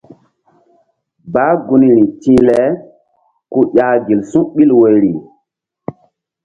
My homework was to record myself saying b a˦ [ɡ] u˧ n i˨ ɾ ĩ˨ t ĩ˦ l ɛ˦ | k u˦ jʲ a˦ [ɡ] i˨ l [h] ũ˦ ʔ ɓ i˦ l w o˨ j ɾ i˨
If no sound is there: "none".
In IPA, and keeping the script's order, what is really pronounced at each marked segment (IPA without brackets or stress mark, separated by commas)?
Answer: ɡ, ɡ, s